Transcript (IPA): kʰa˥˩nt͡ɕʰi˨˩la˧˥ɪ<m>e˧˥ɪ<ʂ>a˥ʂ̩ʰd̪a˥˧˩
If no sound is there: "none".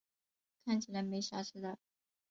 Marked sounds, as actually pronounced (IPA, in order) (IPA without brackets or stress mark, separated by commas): m, ɕ